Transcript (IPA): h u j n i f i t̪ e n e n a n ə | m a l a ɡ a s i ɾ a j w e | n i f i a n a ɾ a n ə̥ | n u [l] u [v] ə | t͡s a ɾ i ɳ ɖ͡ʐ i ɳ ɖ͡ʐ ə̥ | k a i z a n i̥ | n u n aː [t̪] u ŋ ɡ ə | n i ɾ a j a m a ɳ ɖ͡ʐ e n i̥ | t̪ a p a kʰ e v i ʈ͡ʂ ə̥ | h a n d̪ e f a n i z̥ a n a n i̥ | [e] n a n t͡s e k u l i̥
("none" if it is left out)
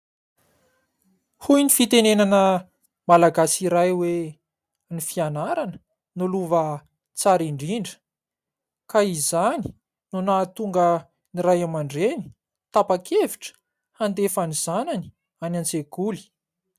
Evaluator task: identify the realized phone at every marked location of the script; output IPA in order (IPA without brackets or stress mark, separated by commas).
l, v, t̪, a